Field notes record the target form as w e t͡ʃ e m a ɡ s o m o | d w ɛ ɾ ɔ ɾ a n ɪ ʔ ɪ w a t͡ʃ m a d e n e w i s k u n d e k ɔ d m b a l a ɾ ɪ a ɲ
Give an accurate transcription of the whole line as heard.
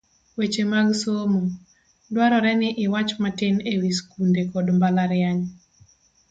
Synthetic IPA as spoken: w e t͡ʃ e m a ɡ s o m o | d w a ɾ ɔ ɾ ɛ n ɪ ʔ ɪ w a t͡ʃ m a t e n e w i s k u n d e k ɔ d m b a l a ɾ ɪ a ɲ

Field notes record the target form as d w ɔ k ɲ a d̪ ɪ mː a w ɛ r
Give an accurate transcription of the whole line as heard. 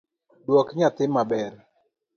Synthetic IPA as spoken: d w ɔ k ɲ a t̪ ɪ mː a b ɛ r

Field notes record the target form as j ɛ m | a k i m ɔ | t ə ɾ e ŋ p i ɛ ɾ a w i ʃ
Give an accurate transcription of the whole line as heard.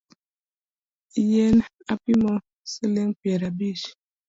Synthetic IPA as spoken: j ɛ n | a p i m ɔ | s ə l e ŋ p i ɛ ɾ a b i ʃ

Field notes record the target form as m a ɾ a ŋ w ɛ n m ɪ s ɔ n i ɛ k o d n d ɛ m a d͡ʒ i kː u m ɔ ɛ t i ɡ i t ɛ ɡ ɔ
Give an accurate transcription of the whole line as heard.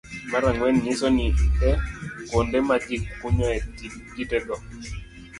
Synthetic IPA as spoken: m a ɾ a ŋ w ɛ n ɲ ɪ s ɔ n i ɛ k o n d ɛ m a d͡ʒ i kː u ɲ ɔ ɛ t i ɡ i t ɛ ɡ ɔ

